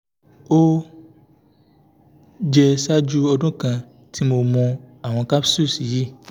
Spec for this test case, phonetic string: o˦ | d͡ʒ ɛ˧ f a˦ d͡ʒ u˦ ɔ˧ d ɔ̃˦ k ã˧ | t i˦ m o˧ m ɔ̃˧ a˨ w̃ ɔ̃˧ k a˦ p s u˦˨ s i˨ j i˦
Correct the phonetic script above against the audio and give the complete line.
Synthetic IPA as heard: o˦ | d͡ʒ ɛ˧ s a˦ d͡ʒ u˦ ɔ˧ d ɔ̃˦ k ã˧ | t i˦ m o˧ m ɔ̃˧ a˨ w̃ ɔ̃˧ k a˦ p s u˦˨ s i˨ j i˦